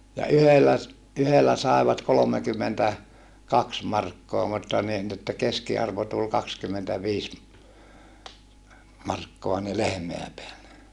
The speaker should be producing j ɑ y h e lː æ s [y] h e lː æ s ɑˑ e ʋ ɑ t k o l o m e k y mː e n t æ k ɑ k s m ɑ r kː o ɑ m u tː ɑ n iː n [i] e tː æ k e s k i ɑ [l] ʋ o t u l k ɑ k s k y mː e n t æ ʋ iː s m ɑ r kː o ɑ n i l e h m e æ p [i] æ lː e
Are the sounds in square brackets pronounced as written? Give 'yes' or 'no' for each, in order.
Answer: yes, yes, no, no

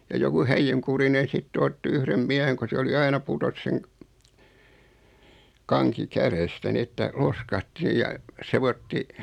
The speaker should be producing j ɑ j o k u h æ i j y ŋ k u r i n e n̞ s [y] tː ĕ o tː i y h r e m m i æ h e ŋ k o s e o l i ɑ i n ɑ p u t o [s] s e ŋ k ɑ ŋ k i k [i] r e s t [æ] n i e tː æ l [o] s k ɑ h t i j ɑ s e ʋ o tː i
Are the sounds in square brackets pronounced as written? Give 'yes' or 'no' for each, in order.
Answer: no, yes, no, yes, yes

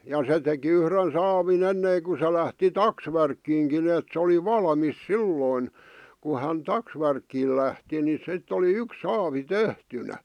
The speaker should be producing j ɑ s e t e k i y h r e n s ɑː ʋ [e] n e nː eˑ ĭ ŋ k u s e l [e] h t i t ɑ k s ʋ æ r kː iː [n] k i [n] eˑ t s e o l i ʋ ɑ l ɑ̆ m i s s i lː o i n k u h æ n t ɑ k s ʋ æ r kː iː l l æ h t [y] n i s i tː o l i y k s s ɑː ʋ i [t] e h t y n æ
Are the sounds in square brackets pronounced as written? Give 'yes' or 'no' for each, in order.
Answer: no, no, no, yes, no, yes

